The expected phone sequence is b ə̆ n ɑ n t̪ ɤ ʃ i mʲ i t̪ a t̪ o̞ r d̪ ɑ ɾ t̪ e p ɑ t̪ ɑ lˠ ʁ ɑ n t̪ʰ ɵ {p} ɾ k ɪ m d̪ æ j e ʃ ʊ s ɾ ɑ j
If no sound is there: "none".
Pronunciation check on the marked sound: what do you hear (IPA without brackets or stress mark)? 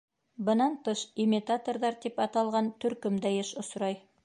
none